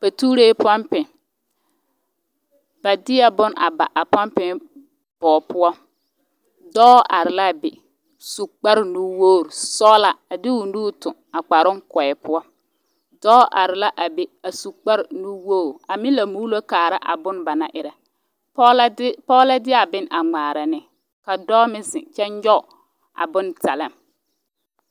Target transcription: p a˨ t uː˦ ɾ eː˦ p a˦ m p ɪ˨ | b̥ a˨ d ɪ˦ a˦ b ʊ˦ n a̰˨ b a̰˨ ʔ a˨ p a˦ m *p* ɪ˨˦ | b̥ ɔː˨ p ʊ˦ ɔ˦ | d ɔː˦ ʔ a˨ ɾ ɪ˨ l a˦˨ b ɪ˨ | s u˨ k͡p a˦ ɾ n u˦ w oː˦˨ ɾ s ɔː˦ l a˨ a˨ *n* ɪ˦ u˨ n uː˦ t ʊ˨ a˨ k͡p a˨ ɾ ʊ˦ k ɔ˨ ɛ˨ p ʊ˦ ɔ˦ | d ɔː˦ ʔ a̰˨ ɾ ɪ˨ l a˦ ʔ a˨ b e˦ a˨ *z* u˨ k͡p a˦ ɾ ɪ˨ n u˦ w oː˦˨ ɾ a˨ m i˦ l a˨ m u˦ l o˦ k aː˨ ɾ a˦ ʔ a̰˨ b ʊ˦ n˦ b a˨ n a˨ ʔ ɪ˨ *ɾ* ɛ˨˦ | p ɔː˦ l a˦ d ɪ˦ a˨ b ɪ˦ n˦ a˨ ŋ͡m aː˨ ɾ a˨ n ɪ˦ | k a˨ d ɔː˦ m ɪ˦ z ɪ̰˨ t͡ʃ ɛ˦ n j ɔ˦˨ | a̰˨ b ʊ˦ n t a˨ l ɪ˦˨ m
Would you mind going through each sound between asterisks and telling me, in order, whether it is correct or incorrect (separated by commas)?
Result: correct, incorrect, incorrect, correct